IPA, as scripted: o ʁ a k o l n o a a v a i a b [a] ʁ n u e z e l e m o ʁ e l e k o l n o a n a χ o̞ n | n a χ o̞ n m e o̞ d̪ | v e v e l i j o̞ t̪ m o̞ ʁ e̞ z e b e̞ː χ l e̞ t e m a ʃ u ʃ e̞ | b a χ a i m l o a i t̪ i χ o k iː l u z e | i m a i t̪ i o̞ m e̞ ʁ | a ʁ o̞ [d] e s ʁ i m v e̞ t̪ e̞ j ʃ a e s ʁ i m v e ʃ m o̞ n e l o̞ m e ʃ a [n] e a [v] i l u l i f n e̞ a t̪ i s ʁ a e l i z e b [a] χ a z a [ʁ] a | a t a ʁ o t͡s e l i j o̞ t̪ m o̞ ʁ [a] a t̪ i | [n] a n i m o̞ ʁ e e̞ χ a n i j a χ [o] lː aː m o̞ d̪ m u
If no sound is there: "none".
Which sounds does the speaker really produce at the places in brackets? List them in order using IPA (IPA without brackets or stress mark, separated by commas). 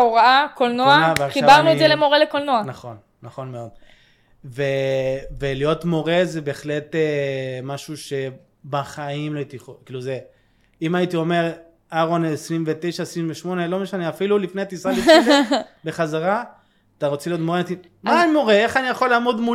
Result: a, n, n, f, e, ʁ, e, m, o